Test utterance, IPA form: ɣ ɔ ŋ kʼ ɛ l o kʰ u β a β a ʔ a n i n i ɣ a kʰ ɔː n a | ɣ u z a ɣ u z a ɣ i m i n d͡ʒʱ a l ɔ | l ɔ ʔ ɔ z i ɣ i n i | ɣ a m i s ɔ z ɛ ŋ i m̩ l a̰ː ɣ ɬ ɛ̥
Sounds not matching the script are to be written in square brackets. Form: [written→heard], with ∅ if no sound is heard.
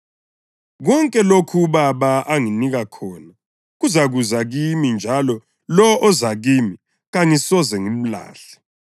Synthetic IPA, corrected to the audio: ɣ ɔ ŋ kʼ ɛ l o kʰ u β a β a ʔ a [n→ŋ] i n i ɣ a kʰ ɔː n a | ɣ u z a ɣ u z a ɣ i m i n d͡ʒʱ a l ɔ | l ɔ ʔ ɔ z [i→a] ɣ i [n→m] i | ɣ a [m→ŋ] i s ɔ z ɛ ŋ i m̩ l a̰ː [ɣ→∅] ɬ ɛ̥

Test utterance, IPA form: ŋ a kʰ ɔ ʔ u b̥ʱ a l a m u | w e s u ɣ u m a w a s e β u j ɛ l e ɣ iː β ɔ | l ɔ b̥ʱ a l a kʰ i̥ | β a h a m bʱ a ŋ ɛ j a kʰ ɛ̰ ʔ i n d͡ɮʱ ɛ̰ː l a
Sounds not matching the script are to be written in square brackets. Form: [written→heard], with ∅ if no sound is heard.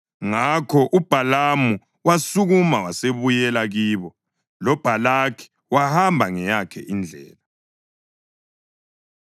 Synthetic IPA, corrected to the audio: ŋ a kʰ ɔ ʔ u b̥ʱ a l a m u | w [e→a] s u ɣ u m a w a s e β u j ɛ l [e→a] ɣ iː β ɔ | l ɔ b̥ʱ a l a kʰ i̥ | [β→w] a h a m bʱ a ŋ ɛ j a kʰ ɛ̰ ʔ i n d͡ɮʱ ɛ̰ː l a

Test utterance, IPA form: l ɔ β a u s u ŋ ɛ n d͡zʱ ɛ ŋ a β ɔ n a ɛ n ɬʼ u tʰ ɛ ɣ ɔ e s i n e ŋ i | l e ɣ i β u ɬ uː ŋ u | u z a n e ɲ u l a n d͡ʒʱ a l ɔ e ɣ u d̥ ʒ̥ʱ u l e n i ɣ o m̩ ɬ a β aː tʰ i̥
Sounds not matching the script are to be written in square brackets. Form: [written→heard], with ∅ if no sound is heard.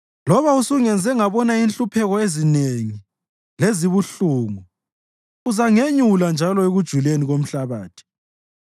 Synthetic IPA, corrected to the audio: l ɔ β a u s u ŋ ɛ n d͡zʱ ɛ ŋ a β ɔ n a [ɛ→i] n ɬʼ u [tʰ→pʰ] ɛ ɣ ɔ e [s→z] i n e ŋ i | l e [ɣ→z] i β u ɬ uː ŋ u | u z a [n→ŋ] e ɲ u l a n d͡ʒʱ a l ɔ e ɣ u d̥ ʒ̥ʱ u l e n i ɣ o m̩ ɬ a β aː tʰ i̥

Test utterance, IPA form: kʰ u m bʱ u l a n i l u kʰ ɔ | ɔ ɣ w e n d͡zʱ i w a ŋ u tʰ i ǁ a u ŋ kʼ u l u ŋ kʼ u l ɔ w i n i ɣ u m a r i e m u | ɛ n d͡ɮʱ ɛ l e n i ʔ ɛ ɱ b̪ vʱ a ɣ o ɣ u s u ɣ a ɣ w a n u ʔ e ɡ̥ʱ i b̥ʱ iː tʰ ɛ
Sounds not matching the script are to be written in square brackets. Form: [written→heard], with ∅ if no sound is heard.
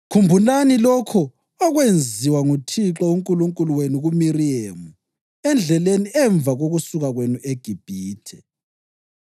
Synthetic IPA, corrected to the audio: kʰ u m bʱ u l a n i l [u→ɔ] kʰ ɔ | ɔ ɣ w e n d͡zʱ i w a ŋ u tʰ i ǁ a u ŋ kʼ u l u ŋ kʼ u l [ɔ→u] w [i→e] n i ɣ u m [a→i] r i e m u | ɛ n d͡ɮʱ ɛ l e n i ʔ ɛ ɱ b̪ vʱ a ɣ o ɣ u s u ɣ a ɣ w [a→e] n u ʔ e ɡ̥ʱ i b̥ʱ iː tʰ ɛ

